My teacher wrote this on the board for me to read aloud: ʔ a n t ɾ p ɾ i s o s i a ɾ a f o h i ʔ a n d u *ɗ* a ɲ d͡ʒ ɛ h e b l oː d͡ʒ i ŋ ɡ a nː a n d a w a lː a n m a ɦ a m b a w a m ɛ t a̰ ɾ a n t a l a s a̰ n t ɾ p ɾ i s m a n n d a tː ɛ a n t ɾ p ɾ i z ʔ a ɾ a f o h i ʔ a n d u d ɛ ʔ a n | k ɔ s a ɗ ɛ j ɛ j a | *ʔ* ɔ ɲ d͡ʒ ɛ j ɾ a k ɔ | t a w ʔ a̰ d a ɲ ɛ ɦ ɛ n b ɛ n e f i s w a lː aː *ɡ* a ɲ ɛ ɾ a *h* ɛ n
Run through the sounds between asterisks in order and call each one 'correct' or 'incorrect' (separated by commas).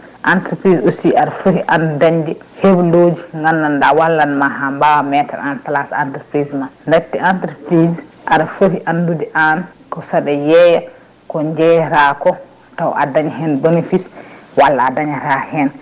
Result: incorrect, incorrect, incorrect, correct